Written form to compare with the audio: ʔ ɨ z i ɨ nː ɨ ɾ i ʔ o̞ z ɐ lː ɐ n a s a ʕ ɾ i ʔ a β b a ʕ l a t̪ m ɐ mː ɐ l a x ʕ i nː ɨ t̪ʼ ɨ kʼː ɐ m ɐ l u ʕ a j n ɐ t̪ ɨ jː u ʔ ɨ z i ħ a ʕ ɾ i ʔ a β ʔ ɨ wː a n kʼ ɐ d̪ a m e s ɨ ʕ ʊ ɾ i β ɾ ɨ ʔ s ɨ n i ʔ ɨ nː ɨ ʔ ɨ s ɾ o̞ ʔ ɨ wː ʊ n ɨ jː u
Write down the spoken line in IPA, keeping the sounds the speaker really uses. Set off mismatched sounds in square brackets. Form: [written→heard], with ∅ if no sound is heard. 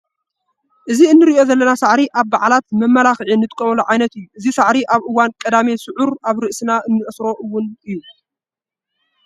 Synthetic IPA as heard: ʔ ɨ z i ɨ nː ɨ ɾ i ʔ o̞ z ɐ lː ɐ n a s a ʕ ɾ i ʔ a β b a ʕ l a t̪ m ɐ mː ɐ l a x ʕ i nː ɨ t̪ʼ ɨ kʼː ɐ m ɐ l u ʕ a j n ɐ t̪ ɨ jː u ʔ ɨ z i [ħ→s] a ʕ ɾ i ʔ a β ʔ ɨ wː a n kʼ ɐ d̪ a m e s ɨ ʕ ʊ ɾ [i→a] β ɾ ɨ ʔ s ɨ n [i→a] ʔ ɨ nː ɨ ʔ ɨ s ɾ o̞ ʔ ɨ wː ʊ n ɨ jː u